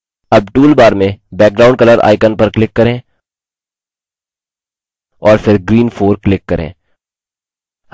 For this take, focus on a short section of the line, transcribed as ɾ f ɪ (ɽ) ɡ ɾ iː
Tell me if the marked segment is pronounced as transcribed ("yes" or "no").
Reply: no